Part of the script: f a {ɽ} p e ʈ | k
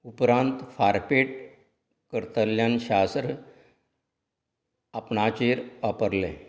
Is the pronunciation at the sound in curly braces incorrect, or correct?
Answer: incorrect